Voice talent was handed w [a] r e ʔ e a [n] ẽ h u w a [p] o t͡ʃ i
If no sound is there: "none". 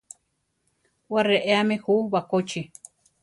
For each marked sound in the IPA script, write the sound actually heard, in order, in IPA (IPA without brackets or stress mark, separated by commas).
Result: a, m, k